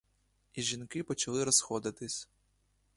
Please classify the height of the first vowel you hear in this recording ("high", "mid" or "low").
high